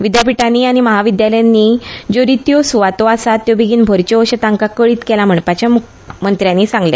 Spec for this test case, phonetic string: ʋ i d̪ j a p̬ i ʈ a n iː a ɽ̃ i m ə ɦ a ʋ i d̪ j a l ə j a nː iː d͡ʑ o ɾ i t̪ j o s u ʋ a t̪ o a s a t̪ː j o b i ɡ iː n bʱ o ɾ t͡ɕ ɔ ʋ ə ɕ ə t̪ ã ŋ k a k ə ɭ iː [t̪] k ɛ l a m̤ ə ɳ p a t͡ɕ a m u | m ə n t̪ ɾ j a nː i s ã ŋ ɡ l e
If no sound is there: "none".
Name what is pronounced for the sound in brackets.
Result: t̪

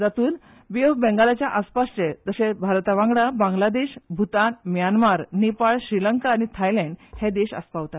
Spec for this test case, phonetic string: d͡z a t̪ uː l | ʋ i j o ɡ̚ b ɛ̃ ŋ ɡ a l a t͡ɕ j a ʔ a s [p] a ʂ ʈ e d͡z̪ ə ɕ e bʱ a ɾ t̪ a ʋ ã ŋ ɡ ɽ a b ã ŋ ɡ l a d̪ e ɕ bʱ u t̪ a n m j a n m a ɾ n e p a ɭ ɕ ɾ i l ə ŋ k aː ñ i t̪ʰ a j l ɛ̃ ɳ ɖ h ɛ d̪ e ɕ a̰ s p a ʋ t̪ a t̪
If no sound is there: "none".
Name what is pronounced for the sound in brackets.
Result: p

